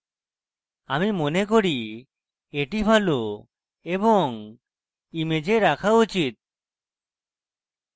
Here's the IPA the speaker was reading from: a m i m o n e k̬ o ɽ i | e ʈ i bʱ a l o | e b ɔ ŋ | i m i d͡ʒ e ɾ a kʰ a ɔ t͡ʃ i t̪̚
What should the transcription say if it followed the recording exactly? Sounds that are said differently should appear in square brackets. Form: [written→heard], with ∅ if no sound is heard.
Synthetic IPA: a m i m o n e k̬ o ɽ i | e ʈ i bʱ a l o | e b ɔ ŋ | i m [i→e] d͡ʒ e ɾ a kʰ a [ɔ→u] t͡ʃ i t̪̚